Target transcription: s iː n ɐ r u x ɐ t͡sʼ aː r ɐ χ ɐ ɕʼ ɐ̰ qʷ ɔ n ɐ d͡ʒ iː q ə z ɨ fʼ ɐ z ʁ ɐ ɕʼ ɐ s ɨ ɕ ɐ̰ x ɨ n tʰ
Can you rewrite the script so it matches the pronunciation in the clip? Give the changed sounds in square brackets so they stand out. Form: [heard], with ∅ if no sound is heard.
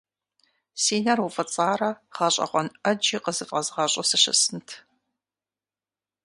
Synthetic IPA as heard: s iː n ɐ r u [f] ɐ t͡sʼ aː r ɐ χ ɐ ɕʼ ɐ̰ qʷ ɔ n ɐ d͡ʒ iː q ə z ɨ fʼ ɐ z ʁ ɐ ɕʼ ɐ s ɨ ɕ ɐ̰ [s] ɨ n tʰ